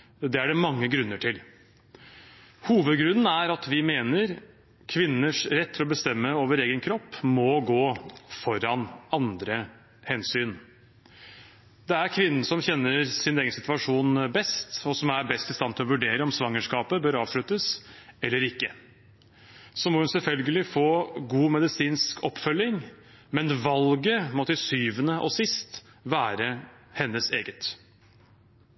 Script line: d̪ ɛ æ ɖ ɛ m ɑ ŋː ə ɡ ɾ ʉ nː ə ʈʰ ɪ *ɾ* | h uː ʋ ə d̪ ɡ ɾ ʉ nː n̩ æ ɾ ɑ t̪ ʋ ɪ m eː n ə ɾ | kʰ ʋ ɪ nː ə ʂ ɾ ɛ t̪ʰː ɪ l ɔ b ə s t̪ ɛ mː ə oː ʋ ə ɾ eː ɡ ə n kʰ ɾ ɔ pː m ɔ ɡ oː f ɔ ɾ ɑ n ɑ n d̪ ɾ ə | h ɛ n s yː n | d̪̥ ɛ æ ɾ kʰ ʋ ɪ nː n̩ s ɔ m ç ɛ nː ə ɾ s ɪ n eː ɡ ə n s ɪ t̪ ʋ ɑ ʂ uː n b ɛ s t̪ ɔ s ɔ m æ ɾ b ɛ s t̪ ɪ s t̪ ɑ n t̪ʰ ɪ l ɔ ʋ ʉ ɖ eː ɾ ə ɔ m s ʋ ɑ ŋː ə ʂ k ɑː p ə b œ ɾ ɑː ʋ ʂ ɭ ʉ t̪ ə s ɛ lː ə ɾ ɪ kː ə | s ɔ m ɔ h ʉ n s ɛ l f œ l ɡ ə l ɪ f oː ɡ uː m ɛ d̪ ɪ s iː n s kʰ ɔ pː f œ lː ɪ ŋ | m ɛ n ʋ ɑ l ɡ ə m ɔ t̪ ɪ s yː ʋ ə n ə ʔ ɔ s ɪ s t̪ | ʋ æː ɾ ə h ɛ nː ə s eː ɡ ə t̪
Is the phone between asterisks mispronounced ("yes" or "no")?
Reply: yes